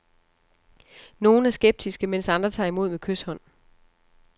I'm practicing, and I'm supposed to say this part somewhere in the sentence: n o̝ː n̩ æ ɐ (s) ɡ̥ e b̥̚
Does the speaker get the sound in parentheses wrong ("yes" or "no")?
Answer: no